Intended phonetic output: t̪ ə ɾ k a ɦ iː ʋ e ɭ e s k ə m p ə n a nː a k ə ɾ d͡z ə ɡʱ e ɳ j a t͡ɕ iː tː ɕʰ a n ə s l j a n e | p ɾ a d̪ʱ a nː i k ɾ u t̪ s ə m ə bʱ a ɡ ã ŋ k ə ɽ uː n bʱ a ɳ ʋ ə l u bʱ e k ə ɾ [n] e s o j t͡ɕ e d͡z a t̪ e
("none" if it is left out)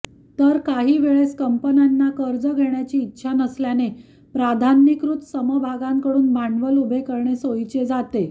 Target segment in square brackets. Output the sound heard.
ɳ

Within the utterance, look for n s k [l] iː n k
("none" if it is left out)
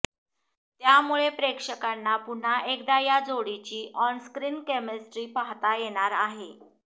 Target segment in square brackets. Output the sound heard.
ɾ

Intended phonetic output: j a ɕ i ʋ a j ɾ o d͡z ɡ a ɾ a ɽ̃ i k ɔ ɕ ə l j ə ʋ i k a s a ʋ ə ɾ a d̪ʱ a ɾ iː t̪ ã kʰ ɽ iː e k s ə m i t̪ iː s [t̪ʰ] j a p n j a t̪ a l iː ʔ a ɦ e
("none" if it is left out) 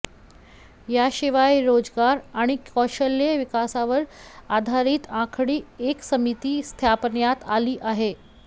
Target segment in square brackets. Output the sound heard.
t̪ʰ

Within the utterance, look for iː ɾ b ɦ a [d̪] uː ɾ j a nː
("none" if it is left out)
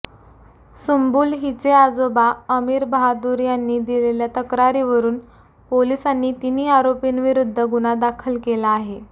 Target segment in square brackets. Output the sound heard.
d̪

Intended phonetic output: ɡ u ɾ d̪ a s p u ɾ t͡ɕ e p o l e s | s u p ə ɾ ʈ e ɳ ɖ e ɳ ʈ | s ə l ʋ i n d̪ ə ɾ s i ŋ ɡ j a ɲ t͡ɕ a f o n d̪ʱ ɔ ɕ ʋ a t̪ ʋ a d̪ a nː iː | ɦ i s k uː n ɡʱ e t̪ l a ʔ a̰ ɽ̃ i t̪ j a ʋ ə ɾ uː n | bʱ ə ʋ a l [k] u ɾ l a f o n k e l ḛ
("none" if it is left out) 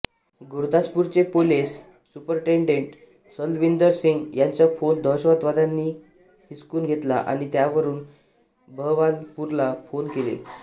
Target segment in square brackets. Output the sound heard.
p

